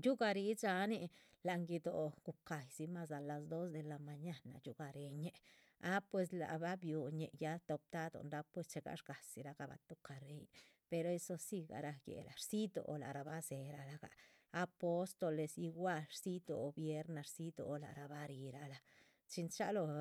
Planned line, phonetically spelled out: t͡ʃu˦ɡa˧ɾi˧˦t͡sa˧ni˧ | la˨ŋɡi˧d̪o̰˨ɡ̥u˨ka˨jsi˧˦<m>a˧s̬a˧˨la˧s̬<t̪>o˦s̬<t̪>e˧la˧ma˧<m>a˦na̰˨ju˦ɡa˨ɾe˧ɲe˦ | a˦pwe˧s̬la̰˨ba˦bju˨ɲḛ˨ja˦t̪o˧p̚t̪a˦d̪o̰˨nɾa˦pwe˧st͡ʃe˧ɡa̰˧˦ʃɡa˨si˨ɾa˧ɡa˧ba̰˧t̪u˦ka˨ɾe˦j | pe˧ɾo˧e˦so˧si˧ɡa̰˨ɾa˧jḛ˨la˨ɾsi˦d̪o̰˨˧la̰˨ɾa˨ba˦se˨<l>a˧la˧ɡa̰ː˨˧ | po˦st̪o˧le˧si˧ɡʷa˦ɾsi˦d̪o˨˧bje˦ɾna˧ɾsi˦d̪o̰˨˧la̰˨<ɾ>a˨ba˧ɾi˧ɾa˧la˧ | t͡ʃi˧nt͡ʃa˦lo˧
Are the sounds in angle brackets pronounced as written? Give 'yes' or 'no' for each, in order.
yes, no, no, no, no, yes

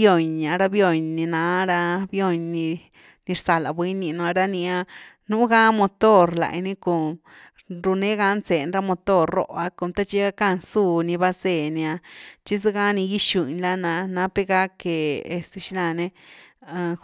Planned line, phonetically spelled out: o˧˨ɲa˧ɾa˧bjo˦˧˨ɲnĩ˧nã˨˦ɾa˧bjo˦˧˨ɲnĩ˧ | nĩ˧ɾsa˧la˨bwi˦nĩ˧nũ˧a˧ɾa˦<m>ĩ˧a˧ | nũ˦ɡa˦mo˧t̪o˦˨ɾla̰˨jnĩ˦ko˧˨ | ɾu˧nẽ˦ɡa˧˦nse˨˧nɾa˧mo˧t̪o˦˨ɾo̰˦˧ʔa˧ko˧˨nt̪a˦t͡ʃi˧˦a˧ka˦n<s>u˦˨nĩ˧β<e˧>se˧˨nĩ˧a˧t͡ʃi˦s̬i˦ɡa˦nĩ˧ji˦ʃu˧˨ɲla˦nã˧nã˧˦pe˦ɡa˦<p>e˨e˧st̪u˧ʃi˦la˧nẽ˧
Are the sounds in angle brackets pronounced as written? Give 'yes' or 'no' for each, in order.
no, yes, no, no

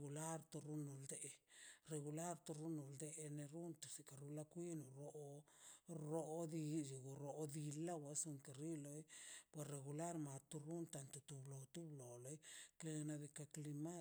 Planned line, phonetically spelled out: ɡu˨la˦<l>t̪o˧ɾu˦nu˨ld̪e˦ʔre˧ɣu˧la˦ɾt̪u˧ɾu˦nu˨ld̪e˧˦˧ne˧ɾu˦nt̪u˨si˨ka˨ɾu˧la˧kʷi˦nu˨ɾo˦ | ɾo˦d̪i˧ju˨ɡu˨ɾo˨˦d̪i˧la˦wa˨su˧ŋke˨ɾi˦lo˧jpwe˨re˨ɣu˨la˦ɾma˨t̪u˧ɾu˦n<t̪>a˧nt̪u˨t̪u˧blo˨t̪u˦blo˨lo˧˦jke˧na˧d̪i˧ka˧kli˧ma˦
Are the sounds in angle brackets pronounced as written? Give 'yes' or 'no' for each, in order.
no, yes

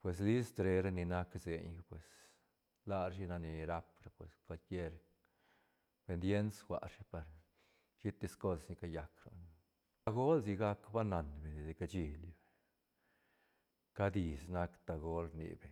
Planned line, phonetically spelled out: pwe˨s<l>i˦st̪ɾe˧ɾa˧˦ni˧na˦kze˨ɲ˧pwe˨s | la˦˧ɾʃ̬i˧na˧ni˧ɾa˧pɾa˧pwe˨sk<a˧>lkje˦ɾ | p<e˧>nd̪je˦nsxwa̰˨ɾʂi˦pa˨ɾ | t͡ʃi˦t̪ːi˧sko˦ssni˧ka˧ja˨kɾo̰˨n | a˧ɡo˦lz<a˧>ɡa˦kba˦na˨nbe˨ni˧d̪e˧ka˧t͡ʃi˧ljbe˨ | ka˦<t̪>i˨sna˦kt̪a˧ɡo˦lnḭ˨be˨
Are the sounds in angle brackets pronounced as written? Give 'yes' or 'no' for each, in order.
yes, yes, yes, no, no

